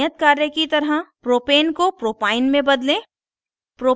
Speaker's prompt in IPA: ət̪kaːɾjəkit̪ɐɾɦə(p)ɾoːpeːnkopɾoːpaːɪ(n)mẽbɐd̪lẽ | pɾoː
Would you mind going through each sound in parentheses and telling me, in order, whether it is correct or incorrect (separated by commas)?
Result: correct, correct